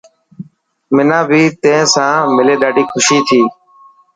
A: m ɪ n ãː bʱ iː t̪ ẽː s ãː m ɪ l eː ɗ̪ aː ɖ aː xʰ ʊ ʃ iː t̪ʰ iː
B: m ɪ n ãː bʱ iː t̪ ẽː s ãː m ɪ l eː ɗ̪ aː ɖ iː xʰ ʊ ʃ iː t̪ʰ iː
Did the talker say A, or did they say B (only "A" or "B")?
B